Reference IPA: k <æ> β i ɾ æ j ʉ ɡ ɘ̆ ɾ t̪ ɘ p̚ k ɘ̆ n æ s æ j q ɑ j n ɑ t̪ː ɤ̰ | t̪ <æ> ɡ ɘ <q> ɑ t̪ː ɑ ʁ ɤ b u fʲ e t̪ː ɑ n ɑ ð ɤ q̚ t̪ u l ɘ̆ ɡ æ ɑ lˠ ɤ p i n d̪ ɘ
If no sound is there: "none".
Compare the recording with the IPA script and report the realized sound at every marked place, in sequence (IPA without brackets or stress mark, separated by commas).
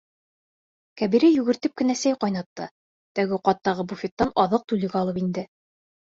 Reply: æ, æ, q